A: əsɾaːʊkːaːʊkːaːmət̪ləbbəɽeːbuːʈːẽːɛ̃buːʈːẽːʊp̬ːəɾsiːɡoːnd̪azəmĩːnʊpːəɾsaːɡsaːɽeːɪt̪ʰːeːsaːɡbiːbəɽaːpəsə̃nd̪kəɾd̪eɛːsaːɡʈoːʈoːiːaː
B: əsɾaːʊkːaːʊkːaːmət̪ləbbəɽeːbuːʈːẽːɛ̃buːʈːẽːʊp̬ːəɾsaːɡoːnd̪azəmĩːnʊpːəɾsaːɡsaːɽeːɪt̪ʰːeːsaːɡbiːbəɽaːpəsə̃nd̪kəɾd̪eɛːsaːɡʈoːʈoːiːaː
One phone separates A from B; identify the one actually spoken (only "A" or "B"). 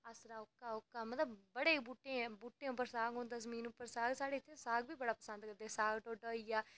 B